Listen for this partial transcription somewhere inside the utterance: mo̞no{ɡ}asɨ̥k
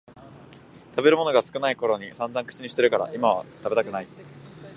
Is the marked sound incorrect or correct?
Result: correct